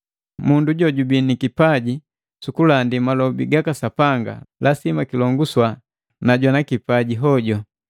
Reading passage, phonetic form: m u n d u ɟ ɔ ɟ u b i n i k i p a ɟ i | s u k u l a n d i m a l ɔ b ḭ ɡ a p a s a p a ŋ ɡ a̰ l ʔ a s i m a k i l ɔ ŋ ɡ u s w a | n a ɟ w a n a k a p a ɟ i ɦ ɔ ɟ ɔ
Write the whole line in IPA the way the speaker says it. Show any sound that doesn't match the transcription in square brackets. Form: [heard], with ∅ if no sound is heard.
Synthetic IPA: m u n d u ɟ ɔ ɟ u b i n i k i p a ɟ i | s u k u l a n d i m a l ɔ b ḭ ɡ a [k] a s a p a ŋ ɡ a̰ l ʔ a s i m a k i l ɔ ŋ ɡ u s w a | n a ɟ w a n a k [i] p a ɟ i ɦ ɔ ɟ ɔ